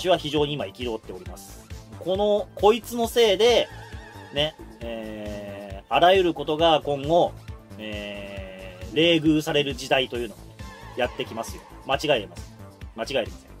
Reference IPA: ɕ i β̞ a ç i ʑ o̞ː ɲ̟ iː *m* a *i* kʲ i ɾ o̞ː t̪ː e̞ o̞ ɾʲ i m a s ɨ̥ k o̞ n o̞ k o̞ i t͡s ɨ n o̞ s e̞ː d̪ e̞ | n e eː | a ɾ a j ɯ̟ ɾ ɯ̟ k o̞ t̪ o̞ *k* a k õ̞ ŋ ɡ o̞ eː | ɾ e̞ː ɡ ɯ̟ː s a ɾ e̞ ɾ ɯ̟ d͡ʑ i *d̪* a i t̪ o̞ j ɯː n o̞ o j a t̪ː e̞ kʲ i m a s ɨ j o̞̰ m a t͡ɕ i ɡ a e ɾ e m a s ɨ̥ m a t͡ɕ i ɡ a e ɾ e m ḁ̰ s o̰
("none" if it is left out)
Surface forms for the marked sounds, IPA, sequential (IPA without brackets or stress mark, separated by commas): m, i, ɡ, d̪